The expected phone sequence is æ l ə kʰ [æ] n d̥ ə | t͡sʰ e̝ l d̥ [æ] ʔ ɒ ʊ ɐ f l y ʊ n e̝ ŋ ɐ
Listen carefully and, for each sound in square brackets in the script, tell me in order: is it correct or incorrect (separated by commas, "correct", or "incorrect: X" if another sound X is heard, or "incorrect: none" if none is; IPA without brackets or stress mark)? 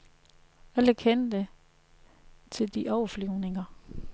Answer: incorrect: e, incorrect: i